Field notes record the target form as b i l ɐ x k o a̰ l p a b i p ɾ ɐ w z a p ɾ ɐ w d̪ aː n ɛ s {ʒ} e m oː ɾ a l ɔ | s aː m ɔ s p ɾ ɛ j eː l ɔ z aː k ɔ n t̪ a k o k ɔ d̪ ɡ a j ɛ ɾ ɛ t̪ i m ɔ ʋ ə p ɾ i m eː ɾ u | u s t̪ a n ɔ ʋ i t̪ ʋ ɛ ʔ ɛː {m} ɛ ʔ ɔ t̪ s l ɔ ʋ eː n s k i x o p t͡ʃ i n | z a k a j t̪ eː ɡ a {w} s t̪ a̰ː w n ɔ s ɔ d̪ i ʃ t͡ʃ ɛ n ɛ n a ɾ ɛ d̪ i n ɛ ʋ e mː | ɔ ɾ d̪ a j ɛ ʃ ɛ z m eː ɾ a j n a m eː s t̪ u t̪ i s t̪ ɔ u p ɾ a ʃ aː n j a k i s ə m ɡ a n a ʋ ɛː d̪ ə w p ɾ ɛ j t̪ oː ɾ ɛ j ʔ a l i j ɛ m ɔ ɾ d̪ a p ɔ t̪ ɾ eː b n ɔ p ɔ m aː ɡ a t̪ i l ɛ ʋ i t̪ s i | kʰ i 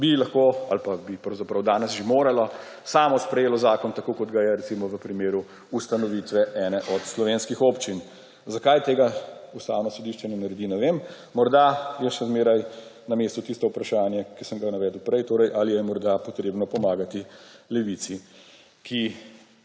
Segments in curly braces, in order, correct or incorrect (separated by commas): correct, incorrect, incorrect